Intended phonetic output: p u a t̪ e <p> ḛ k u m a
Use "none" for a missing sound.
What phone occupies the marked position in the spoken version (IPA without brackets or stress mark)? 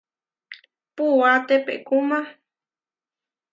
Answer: p